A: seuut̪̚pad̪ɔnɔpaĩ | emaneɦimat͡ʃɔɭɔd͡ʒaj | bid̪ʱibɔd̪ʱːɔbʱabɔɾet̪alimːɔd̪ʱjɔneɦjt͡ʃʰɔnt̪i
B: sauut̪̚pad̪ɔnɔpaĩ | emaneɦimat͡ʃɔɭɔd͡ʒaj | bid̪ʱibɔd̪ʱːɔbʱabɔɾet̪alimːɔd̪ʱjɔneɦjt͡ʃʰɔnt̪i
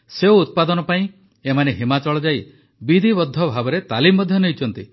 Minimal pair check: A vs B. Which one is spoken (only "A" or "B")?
A